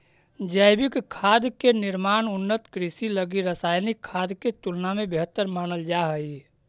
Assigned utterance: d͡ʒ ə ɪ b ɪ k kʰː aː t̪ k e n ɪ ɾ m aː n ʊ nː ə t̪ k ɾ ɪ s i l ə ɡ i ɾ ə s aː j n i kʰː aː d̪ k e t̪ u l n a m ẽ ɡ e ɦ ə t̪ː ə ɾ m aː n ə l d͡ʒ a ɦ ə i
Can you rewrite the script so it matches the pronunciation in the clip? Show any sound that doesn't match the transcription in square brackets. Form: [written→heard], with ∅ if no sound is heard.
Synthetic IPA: d͡ʒ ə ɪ b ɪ k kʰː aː [t̪→d̪] k e n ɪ ɾ m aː n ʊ nː ə t̪ k ɾ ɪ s i l ə ɡ i ɾ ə s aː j n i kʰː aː d̪ k e t̪ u l n a m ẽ [ɡ→b] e ɦ ə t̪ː ə ɾ m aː n ə l d͡ʒ a ɦ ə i